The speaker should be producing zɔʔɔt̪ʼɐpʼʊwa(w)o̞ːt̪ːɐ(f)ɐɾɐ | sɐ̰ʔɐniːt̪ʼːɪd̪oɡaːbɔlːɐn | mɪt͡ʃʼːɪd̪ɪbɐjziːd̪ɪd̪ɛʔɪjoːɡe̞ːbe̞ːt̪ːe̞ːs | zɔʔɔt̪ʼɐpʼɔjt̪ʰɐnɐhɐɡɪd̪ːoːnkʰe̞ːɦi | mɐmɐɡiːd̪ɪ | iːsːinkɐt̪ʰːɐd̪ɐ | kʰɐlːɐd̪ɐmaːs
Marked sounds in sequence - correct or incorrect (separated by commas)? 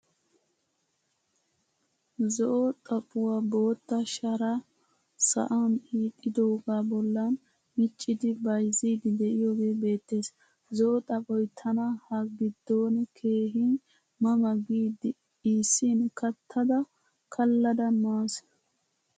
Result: incorrect, incorrect